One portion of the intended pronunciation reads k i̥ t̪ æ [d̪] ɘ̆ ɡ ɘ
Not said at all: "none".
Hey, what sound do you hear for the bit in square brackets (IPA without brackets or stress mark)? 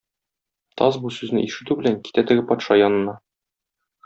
t̪